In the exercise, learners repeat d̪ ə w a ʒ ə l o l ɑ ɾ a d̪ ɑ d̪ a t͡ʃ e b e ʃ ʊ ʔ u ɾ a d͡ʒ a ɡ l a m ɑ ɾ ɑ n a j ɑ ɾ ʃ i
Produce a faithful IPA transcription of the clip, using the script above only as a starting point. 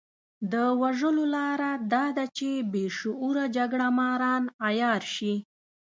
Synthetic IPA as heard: d̪ ə w a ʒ ə l o l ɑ ɾ a d̪ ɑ d̪ a t͡ʃ e b e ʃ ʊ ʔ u ɾ a d͡ʒ a ɡ ɽ a m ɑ ɾ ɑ n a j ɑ ɾ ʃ i